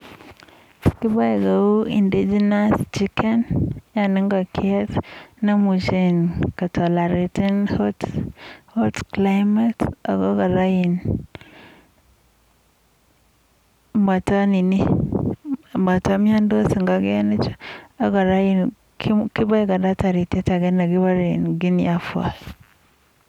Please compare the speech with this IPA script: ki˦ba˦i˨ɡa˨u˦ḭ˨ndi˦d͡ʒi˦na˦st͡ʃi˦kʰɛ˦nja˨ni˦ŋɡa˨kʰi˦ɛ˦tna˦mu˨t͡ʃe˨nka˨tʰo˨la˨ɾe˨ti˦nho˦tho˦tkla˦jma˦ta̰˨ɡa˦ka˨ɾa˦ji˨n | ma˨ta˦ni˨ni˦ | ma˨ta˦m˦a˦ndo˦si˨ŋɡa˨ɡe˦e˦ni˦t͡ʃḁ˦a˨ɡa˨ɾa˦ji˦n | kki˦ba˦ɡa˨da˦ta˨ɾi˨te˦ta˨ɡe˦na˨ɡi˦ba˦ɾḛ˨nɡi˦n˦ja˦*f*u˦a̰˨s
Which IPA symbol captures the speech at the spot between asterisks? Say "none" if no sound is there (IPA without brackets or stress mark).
f